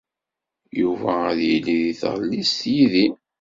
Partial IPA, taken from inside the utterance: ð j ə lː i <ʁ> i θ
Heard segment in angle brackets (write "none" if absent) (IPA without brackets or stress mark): ð